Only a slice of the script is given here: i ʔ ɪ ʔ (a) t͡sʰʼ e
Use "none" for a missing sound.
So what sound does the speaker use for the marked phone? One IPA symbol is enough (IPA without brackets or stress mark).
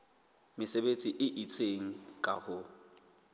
i